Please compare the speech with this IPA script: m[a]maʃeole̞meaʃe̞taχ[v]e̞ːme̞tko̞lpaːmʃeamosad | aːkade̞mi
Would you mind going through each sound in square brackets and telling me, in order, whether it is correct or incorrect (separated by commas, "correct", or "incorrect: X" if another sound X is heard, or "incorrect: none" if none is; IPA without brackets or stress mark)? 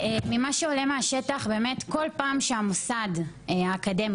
incorrect: i, incorrect: b